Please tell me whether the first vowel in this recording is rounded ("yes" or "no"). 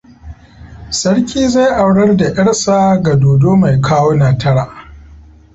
no